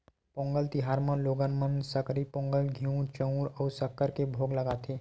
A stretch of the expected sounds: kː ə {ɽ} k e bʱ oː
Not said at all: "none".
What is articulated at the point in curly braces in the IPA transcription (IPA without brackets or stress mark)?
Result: ɾ